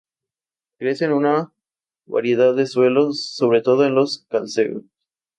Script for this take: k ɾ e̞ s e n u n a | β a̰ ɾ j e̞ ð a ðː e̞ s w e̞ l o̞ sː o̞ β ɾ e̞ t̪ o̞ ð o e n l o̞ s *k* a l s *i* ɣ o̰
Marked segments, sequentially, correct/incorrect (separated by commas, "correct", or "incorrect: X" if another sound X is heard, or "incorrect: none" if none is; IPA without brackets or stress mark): correct, incorrect: e